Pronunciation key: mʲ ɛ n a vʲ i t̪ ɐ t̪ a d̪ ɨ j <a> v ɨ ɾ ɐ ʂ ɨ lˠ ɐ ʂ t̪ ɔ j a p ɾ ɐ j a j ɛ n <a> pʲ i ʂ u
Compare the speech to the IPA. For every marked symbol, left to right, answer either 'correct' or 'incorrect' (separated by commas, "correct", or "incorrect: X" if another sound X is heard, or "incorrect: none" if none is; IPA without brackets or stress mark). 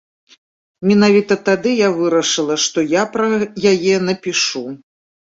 correct, incorrect: ɐ